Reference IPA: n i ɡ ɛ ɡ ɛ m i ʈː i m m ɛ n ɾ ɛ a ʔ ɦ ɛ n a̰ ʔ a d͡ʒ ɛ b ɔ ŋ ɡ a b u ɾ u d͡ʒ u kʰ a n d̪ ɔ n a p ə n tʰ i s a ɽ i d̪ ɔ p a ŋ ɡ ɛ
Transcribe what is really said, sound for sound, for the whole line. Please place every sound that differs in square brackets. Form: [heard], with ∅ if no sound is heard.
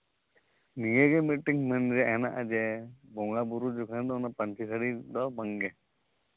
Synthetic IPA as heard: n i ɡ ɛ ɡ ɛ m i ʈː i [ŋ] m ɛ n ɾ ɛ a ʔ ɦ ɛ n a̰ ʔ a d͡ʒ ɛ b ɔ ŋ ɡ a b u ɾ u d͡ʒ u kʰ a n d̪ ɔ n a p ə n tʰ i s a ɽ i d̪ ɔ [b] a ŋ ɡ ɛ